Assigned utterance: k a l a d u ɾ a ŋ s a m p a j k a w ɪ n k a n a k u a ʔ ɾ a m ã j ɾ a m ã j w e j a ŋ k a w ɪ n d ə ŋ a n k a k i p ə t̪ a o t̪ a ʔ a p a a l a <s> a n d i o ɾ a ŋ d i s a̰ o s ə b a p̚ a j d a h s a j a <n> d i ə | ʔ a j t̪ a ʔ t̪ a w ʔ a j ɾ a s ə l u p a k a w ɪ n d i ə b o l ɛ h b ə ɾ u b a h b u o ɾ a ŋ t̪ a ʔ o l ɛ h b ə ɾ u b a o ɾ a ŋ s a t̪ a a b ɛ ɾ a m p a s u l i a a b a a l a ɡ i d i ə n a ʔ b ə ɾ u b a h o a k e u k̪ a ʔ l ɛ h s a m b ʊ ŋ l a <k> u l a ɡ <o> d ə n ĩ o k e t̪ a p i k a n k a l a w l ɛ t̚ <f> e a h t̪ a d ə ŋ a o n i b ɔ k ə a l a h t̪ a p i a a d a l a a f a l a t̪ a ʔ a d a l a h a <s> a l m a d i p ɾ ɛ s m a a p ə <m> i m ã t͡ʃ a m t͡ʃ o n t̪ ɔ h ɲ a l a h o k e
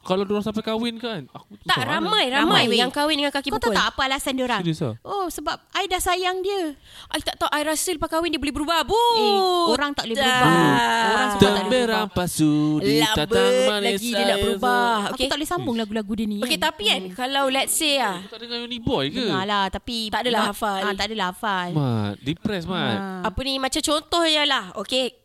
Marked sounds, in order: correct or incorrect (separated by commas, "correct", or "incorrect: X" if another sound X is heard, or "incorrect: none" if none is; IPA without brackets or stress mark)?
correct, incorrect: ŋ, incorrect: ɡ, incorrect: u, incorrect: s, incorrect: f, incorrect: n